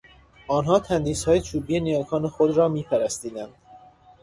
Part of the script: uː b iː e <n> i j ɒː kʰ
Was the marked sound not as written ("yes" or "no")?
no